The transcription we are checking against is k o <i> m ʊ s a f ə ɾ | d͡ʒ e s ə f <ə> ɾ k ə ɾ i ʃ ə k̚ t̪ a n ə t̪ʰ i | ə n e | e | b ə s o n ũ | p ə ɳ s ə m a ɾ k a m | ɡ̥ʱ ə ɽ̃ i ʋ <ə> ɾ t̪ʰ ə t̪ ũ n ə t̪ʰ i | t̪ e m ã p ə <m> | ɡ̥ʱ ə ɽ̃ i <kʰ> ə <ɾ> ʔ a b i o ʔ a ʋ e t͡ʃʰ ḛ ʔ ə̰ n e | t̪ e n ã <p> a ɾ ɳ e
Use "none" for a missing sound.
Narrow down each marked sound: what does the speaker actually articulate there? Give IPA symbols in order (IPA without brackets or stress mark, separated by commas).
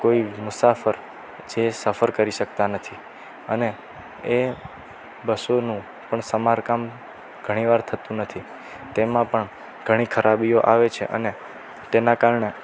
i, ə, a, ɳ, kʰ, ɾ, k